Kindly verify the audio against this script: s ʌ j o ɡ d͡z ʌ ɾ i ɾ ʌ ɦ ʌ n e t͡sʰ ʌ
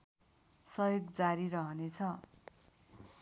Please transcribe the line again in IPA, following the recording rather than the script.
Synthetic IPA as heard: s ʌ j o ɡ d͡z a ɾ i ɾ ʌ ɦ ʌ n e t͡sʰ ʌ

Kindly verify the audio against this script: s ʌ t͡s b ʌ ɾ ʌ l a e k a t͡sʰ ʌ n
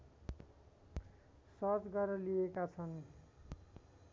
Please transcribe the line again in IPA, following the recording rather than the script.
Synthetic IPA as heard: s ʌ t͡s ɡ ʌ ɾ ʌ l i e k a t͡sʰ ʌ n

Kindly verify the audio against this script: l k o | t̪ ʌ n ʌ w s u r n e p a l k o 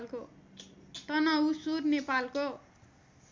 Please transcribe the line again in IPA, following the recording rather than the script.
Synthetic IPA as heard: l k o | t̪ ʌ n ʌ u s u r n e p a l k o

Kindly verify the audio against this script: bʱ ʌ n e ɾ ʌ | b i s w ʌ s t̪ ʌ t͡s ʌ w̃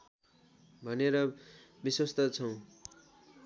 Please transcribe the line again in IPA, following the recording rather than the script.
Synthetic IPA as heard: bʱ ʌ n e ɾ ʌ | b i s w ʌ s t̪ ʌ t͡sʰ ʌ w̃

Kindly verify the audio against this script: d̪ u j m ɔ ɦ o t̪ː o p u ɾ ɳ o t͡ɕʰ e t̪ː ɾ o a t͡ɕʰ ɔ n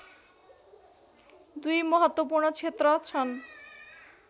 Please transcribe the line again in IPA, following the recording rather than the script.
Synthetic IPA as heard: d̪ u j m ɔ ɦ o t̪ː o p u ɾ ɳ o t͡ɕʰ e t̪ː ɾ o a t͡ɕʰ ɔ n

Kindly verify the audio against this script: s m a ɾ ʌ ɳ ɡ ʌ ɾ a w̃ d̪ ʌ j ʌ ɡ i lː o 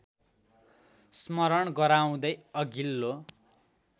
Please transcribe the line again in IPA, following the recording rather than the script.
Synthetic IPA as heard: s m ʌ ɾ ʌ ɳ ɡ ʌ ɾ a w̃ d̪ ʌ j ʌ ɡ i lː o

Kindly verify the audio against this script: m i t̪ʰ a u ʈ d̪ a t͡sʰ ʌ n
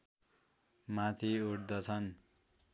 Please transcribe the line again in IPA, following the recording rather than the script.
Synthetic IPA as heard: m a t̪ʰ i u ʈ d̪ ʌ t͡sʰ ʌ n

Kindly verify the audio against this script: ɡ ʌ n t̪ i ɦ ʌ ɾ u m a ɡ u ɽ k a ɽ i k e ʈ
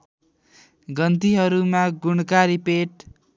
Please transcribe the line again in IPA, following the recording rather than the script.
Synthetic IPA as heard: ɡ ʌ n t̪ i ɦ ʌ ɾ u m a ɡ u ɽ k a ɾ i p e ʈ

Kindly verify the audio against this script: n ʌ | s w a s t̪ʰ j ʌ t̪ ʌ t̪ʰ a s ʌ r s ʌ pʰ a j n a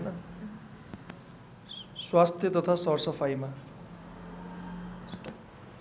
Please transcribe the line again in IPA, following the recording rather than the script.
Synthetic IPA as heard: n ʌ | s w a s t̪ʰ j ʌ t̪ ʌ t̪ʰ a s ʌ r s ʌ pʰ a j m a

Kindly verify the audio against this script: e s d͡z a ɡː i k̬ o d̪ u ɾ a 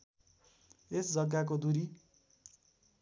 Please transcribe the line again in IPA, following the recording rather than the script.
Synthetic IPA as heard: e s d͡z ʌ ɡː a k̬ o d̪ u ɾ i

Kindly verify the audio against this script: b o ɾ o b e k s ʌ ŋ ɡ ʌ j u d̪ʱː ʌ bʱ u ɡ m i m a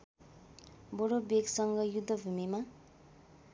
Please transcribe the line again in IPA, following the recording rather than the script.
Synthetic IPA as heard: b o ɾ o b e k s ʌ ŋ ɡ ʌ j u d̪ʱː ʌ bʱ u m i m a

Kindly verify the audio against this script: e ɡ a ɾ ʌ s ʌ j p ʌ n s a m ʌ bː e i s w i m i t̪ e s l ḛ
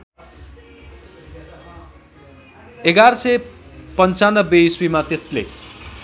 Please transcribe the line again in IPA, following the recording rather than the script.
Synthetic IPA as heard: e ɡ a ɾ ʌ s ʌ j p ʌ n t͡s a n ʌ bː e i s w i m a t̪ e s l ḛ

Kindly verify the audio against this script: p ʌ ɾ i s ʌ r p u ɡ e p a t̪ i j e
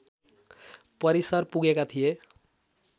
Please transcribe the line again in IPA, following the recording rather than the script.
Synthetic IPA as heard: p ʌ ɾ i s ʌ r p u ɡ e k a t̪ʰ i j e

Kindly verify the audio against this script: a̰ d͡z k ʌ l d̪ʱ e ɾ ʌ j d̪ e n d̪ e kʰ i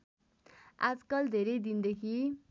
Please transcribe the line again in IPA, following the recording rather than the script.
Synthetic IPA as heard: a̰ d͡z k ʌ l d̪ʱ e ɾ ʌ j d̪ i n d̪ e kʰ i

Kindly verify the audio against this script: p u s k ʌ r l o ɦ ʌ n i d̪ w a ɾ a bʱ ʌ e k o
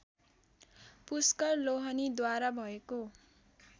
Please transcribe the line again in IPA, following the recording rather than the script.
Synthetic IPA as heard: p u s k ʌ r l o ɦ ʌ n i d̪ w a ɾ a bʱ ʌ e k o

